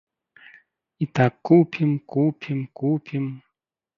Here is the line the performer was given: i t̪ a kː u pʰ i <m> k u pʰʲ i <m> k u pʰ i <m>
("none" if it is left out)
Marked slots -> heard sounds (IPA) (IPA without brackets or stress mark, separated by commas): m, m, m